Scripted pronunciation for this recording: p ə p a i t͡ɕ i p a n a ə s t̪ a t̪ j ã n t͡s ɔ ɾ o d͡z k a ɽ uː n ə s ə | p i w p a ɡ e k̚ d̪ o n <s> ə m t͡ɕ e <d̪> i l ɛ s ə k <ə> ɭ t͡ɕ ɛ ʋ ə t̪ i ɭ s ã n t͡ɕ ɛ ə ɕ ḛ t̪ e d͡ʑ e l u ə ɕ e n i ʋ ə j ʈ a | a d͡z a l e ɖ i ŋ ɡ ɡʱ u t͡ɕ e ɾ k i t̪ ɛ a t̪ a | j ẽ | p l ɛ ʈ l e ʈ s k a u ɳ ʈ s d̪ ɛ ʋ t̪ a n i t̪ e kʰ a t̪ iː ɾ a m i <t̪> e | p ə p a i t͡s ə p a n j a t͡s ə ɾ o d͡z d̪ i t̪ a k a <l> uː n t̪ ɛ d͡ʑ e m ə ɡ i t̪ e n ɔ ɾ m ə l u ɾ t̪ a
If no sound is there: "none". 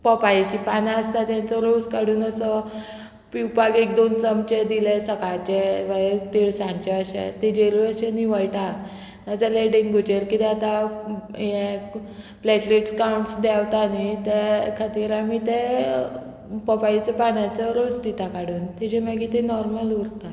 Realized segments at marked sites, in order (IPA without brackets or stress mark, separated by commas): t͡s, d̪, a, t̪, ɽ